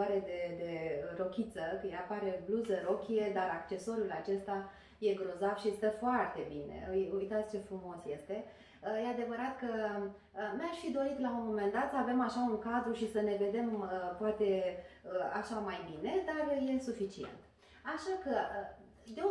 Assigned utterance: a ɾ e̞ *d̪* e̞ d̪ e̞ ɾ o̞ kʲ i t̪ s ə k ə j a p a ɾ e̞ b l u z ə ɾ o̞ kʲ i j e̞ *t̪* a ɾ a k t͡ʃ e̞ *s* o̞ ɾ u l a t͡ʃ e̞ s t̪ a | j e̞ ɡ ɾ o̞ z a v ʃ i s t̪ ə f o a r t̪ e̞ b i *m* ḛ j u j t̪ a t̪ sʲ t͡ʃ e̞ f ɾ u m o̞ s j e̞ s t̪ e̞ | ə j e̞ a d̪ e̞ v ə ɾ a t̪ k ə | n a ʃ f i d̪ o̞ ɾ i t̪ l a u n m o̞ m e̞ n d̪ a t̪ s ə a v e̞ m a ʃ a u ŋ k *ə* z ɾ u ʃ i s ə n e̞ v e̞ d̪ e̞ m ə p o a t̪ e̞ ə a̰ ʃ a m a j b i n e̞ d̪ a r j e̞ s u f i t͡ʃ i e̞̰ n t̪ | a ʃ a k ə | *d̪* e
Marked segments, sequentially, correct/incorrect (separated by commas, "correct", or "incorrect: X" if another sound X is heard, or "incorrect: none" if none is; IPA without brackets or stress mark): correct, incorrect: d̪, correct, incorrect: n, incorrect: a, correct